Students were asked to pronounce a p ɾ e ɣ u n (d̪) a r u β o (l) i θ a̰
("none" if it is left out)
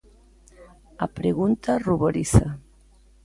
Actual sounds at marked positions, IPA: t̪, ɾ

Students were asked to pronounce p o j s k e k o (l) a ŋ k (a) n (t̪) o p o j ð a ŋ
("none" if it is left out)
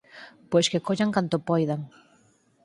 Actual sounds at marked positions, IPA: ʎ, a, t̪

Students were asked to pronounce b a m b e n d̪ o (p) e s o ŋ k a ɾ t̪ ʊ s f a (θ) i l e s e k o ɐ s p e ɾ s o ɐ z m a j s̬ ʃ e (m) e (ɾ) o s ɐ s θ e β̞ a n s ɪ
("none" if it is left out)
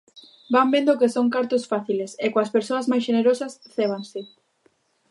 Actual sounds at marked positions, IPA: k, θ, n, ɾ

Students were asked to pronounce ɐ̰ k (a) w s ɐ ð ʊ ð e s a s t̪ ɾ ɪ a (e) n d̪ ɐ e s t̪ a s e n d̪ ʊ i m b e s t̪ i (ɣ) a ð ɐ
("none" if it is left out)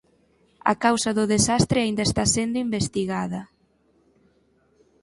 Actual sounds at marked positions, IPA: a, i, ɣ

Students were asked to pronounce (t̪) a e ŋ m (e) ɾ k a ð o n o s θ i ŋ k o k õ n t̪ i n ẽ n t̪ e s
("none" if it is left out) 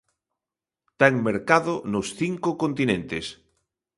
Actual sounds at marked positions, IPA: t̪, e

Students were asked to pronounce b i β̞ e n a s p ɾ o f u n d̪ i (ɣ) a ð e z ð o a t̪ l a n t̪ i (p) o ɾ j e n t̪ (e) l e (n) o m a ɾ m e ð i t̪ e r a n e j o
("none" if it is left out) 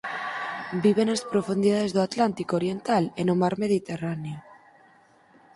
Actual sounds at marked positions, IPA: ð, k, a, n

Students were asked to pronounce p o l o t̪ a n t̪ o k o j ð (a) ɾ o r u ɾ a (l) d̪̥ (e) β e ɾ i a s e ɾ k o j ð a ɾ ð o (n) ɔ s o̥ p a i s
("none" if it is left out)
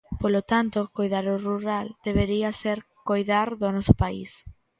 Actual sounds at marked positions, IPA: a, l, e, n

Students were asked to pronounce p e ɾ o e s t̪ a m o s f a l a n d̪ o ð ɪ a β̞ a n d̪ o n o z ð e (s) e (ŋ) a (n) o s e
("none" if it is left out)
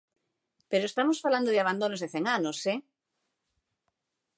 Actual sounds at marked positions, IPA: θ, ŋ, n

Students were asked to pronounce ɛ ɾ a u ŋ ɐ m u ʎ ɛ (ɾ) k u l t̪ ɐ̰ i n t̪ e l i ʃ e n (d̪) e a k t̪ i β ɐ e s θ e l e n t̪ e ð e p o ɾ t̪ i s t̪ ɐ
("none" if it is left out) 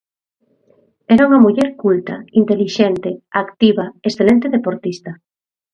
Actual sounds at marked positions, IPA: ɾ, t̪

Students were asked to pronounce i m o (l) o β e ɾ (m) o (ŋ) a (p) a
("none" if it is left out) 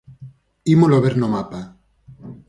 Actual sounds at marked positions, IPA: l, n, m, p

